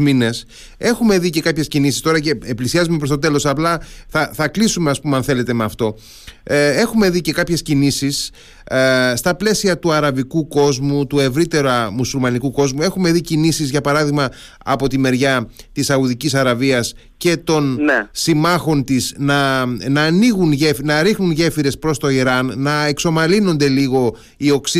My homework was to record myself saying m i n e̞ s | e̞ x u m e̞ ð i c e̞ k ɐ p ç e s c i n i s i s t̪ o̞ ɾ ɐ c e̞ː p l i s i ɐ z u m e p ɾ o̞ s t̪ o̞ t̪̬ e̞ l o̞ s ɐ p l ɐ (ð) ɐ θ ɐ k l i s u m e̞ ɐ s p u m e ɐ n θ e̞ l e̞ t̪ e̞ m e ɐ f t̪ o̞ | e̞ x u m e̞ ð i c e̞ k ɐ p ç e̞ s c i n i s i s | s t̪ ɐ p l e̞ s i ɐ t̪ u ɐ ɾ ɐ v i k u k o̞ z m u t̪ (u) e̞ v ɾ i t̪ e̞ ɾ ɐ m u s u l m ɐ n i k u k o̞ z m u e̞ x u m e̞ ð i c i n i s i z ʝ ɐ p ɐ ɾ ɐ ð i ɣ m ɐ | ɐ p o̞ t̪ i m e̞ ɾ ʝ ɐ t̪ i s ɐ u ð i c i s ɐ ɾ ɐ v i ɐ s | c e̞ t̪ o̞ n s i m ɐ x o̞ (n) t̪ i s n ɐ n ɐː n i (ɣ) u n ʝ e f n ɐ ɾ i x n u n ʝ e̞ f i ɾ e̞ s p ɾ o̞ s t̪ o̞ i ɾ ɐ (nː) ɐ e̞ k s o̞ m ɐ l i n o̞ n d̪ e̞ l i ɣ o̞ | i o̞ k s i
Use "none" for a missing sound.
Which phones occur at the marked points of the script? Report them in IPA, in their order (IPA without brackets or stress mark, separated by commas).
θ, u, n, ɣ, nː